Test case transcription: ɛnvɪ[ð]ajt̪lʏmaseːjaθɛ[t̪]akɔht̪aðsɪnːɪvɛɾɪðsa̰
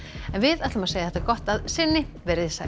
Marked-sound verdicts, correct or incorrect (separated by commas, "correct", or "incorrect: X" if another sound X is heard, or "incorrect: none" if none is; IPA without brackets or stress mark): correct, correct